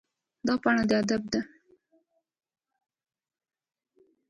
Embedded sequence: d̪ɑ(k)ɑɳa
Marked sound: incorrect: p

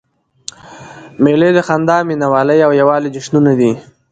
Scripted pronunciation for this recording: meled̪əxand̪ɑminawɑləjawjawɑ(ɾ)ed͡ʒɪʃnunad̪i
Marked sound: incorrect: l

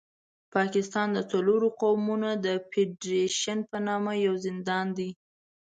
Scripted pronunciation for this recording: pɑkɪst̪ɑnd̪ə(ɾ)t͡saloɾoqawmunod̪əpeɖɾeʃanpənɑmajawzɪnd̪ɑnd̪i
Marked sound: incorrect: none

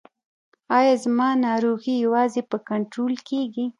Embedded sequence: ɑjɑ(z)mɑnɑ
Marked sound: correct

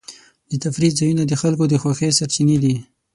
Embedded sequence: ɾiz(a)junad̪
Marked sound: correct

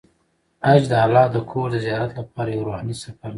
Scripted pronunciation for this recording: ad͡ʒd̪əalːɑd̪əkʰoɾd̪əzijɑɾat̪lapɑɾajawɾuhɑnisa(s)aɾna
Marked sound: incorrect: f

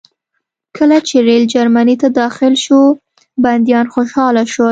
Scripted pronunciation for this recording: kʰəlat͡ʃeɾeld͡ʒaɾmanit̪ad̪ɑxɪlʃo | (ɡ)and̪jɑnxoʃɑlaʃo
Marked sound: incorrect: b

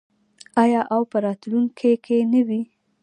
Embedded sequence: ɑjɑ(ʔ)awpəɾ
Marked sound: correct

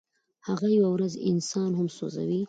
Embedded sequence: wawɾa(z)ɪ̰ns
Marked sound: correct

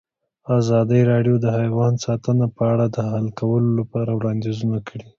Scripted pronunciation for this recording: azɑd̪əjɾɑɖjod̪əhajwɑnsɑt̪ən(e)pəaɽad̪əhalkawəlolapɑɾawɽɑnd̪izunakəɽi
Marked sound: incorrect: a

